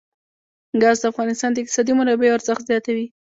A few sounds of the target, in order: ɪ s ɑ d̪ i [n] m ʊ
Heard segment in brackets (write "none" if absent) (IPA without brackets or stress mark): none